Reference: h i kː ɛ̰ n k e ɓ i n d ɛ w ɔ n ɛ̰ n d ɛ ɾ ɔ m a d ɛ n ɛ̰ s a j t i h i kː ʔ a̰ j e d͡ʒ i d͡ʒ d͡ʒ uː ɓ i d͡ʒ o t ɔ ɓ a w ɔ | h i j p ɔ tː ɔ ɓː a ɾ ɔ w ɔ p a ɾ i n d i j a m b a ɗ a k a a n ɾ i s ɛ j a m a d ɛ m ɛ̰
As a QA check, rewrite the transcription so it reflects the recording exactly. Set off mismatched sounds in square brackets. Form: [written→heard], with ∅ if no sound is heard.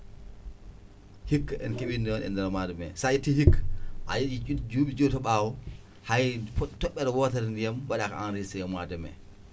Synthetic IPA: h i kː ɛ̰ n k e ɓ i n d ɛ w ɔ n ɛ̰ n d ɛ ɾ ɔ m a d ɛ [n→m] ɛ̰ s a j t i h i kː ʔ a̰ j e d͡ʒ i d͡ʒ d͡ʒ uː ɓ i d͡ʒ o t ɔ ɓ a w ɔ | h [i→a] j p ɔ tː ɔ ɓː [a→ɛ] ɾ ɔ w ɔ [p→t] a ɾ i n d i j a m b a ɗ a k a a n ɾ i s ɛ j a m a d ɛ m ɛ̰